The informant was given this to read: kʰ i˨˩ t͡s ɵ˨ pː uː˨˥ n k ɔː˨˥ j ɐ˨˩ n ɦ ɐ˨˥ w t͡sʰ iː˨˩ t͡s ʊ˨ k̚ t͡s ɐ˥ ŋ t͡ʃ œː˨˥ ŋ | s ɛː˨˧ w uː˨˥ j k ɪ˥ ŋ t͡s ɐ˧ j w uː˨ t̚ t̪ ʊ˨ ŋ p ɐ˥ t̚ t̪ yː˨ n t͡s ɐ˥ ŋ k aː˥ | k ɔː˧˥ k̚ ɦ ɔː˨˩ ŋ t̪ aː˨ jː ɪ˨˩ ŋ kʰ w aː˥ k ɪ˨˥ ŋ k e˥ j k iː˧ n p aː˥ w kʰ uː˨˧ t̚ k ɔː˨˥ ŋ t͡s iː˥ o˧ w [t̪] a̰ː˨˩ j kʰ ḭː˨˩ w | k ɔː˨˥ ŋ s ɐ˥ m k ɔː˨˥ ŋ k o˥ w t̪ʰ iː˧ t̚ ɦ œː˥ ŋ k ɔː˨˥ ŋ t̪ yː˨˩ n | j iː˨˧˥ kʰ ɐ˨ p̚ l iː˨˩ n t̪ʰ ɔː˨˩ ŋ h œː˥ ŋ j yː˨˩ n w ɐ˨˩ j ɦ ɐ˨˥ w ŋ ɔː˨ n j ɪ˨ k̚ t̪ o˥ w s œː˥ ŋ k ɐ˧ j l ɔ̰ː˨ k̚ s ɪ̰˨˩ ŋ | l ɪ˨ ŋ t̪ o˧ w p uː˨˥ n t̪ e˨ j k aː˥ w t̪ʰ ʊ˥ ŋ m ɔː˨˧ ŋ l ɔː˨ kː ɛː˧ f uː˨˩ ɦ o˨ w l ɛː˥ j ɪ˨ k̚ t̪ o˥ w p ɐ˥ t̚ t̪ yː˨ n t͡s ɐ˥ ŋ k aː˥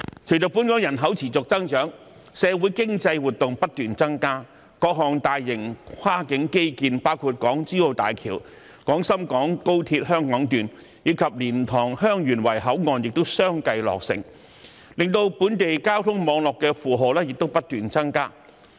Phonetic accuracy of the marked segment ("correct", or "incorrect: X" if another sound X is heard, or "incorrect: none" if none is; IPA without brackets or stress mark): correct